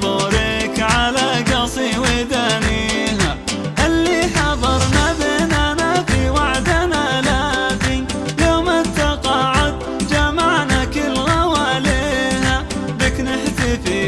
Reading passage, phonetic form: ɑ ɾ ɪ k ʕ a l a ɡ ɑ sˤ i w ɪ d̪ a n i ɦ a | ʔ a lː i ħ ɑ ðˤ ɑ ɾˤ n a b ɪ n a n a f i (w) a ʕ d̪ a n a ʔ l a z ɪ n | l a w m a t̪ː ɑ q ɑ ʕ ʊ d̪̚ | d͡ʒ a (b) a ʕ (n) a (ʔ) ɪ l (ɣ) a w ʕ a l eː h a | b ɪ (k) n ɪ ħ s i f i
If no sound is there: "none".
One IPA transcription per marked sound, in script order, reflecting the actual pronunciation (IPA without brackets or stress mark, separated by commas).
w, m, n, k, ɣ, k